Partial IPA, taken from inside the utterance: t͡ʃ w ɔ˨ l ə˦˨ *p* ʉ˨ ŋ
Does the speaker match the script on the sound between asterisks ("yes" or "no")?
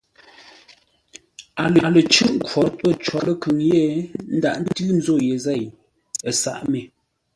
no